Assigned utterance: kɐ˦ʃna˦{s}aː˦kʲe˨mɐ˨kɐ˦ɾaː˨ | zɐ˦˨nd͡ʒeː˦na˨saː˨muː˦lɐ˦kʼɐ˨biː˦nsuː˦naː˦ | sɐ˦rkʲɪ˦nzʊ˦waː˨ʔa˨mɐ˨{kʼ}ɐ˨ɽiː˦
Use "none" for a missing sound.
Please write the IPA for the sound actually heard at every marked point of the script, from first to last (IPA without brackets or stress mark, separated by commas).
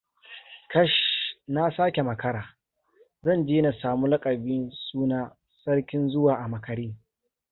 s, k